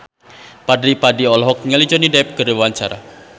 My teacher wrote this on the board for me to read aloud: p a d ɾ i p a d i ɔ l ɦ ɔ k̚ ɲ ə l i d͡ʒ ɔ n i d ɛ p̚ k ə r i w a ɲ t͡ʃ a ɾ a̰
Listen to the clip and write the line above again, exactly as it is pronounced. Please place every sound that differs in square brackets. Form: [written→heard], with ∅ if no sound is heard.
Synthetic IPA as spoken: p a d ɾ i p a d i ɔ l ɦ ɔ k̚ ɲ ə l i d͡ʒ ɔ n i d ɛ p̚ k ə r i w a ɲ t͡ʃ a ɾ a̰